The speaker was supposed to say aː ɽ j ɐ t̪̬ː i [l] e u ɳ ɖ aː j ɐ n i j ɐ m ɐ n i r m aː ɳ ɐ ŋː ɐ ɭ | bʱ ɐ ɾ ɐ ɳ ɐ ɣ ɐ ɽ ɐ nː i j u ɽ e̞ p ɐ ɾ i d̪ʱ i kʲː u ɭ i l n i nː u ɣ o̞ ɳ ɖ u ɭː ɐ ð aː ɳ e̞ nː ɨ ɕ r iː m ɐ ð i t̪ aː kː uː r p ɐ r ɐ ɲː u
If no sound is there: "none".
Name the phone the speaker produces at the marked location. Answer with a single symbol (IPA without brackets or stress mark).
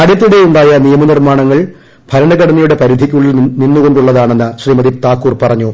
ɽ